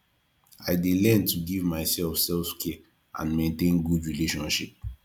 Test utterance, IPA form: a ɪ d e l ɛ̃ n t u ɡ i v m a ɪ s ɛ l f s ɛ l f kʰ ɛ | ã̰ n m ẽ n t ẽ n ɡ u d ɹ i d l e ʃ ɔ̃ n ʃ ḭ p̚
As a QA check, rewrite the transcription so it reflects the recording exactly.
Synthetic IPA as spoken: a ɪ d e l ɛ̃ n t u ɡ i v m a ɪ s ɛ l f s ɛ l f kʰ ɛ | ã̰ n m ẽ n t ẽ n ɡ u d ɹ i l e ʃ ɔ̃ n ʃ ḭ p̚

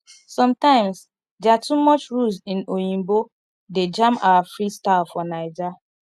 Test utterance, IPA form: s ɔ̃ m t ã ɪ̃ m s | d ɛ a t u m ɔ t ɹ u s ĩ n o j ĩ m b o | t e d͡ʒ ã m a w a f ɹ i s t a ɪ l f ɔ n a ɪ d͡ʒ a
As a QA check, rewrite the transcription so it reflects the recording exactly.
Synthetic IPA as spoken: s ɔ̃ m t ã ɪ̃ m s | d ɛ a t u m ɔ t͡ʃ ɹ u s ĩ n o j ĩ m b o | d e d͡ʒ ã m a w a f ɹ i s t a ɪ l f ɔ n a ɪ d͡ʒ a

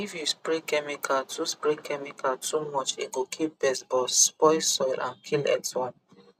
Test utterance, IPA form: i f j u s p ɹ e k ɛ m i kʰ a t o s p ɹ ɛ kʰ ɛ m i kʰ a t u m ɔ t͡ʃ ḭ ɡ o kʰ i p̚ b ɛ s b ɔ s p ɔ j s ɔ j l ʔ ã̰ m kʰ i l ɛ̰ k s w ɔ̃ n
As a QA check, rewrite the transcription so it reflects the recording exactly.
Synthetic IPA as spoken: i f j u s p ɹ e k ɛ m i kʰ a t u s p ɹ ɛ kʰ ɛ m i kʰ a t u m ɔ t͡ʃ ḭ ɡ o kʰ i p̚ b ɛ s b ɔ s p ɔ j s ɔ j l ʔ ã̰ n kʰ i l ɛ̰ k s w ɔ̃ n

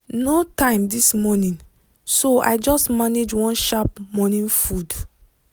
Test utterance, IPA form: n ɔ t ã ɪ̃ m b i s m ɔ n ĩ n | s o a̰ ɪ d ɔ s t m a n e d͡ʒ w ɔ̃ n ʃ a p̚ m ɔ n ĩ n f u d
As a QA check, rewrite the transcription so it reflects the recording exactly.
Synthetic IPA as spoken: n o t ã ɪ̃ m d i s m ɔ n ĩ n | s o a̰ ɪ d͡ʒ ɔ s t m a n e d͡ʒ w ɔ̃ n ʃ a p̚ m ɔ n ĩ n f u d

